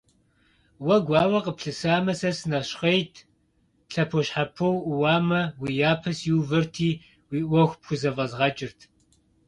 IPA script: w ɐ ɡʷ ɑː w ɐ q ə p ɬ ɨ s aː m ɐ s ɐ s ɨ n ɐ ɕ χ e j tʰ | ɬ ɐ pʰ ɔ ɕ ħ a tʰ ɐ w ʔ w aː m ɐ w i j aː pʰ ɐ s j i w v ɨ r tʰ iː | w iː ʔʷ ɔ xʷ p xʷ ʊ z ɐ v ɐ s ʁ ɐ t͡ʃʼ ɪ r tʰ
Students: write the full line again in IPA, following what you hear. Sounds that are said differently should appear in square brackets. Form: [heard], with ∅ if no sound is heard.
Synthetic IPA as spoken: w ɐ ɡʷ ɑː w ɐ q ə p ɬ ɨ s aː m ɐ s ɐ s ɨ n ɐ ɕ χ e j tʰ | ɬ ɐ pʰ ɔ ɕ ħ a [pʰ] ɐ w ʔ w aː m ɐ w i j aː pʰ ɐ s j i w v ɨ r tʰ iː | w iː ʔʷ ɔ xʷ p xʷ ʊ z ɐ v ɐ [z] ʁ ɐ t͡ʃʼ ɪ r tʰ